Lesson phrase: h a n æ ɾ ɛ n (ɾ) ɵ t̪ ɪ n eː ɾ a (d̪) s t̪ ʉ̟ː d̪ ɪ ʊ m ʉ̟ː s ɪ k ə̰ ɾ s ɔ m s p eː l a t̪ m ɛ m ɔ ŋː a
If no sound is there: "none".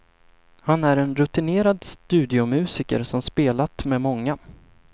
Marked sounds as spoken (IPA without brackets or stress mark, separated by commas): ɾ, d̪